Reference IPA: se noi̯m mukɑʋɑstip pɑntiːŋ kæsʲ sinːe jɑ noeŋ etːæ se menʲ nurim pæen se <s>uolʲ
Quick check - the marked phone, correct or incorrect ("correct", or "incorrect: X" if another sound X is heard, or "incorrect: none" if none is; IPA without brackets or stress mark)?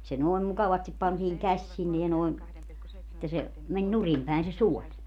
correct